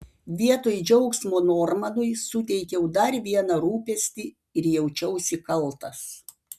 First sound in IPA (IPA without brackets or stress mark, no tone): ʋʲ